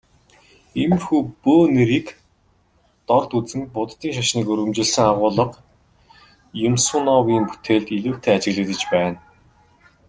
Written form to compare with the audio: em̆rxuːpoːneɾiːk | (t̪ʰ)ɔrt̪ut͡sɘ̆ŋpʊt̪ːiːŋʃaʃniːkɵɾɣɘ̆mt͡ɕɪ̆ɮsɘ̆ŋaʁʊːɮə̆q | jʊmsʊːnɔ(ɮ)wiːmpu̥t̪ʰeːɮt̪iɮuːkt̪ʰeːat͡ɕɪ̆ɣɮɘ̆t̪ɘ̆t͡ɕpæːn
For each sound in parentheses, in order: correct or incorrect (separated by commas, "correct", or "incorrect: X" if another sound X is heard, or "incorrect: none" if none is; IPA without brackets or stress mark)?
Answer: incorrect: t̪, incorrect: none